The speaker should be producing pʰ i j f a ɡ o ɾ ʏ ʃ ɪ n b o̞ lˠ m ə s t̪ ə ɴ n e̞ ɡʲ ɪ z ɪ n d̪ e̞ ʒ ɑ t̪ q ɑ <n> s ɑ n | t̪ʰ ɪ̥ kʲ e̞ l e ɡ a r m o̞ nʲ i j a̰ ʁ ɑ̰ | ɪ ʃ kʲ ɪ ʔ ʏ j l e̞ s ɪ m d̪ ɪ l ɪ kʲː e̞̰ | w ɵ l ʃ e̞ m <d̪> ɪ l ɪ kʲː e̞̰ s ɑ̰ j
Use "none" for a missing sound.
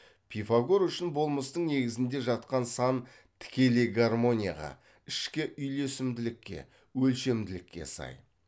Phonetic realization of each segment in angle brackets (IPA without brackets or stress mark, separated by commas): n, d̪